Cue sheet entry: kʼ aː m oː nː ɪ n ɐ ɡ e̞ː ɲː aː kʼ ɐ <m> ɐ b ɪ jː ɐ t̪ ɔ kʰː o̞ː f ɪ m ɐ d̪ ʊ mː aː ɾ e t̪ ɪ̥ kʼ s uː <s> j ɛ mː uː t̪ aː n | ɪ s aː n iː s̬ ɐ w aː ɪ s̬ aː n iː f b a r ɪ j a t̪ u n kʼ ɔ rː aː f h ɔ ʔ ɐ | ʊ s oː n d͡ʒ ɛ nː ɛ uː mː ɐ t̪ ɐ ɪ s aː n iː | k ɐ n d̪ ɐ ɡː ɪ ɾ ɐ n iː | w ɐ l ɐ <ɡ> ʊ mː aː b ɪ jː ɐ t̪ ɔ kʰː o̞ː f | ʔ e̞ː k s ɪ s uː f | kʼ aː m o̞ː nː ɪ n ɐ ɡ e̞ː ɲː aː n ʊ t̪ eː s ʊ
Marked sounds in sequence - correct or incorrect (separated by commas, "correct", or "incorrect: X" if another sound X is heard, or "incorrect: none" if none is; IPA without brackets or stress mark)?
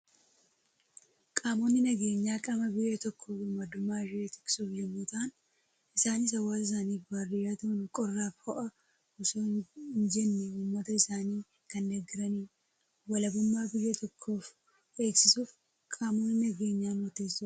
correct, incorrect: f, incorrect: b